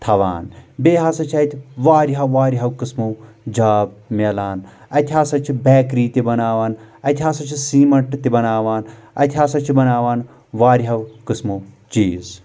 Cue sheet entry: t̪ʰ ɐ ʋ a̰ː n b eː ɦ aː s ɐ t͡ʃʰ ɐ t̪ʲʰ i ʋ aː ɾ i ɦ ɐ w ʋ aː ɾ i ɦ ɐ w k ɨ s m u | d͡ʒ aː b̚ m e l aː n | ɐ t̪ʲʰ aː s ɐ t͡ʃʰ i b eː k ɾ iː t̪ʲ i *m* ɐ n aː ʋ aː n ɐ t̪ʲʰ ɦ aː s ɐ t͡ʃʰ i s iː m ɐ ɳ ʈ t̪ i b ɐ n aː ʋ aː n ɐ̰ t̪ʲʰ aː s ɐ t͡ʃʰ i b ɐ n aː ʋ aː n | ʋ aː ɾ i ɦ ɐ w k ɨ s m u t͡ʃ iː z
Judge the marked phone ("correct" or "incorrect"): incorrect